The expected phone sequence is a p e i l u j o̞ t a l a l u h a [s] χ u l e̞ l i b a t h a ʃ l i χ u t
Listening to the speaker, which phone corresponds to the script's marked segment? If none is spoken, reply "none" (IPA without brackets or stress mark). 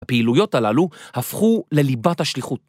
f